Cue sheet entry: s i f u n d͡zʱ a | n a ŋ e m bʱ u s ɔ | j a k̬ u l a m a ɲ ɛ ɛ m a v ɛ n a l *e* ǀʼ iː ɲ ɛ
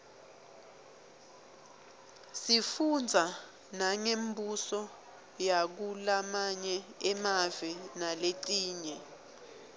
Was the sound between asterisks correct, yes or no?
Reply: yes